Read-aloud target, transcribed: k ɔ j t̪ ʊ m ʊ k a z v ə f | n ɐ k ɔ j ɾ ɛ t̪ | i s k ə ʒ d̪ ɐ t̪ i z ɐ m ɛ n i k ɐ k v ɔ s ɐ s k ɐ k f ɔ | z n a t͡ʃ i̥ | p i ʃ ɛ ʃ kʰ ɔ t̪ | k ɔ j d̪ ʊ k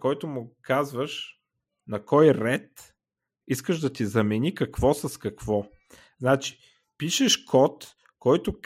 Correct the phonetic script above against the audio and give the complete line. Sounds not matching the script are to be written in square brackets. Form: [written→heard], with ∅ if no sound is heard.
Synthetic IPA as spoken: k ɔ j t̪ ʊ m ʊ k a z v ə [f→ʃ] | n ɐ k ɔ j ɾ ɛ t̪ | i s k ə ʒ d̪ ɐ t̪ i z ɐ m ɛ n i k ɐ k v ɔ s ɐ s k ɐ k [f→v] ɔ | z n a t͡ʃ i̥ | p i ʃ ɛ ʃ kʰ ɔ t̪ | k ɔ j [d̪→t̪] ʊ k